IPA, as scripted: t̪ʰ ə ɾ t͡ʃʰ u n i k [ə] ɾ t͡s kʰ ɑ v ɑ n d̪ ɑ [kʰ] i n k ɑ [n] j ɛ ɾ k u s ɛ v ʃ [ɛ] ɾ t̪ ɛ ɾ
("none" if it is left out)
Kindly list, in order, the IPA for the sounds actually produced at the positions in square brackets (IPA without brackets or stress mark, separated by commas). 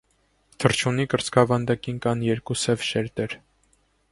ə, k, n, ɛ